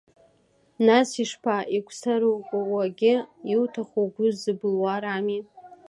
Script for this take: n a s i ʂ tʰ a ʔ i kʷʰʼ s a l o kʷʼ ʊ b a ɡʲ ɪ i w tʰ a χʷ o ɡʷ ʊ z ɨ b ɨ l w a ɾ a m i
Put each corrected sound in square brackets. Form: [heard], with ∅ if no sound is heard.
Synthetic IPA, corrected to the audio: n a s i ʂ [pʰ] a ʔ i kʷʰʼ s a [ɾ] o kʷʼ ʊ [w] a ɡʲ ɪ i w tʰ a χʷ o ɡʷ ʊ z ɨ b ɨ l w a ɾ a m i